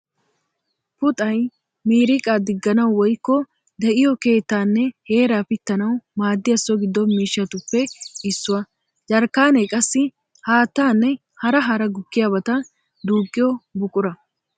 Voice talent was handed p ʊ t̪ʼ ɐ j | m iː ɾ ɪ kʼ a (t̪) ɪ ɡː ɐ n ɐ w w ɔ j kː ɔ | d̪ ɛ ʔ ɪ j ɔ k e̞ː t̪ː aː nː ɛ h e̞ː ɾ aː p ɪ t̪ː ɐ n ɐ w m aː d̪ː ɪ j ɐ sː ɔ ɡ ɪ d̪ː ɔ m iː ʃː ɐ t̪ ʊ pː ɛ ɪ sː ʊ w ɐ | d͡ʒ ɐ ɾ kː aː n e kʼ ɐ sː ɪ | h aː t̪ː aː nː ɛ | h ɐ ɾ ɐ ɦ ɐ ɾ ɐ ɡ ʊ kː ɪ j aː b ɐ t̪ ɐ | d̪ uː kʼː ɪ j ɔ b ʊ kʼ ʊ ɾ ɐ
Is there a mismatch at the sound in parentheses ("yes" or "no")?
yes